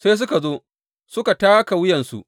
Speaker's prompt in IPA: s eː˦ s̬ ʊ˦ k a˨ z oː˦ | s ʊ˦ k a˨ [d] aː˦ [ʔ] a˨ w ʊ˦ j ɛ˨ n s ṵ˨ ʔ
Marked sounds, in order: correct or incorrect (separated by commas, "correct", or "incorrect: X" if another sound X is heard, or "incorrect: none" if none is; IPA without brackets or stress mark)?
incorrect: t, incorrect: k